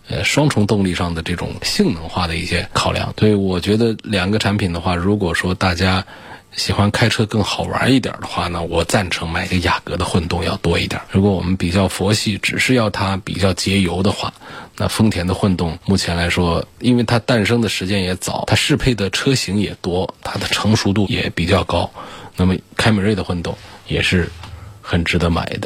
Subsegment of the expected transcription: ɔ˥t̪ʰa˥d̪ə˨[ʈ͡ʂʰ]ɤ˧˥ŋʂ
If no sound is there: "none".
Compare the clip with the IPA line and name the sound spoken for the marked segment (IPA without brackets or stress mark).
ʈ͡ʂʰ